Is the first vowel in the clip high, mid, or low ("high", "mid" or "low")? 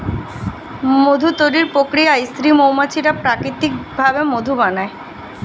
mid